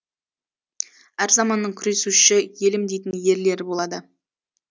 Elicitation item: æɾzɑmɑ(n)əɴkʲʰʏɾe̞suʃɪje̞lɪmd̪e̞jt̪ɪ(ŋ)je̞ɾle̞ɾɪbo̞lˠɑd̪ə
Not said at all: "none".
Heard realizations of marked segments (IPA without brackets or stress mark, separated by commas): nː, n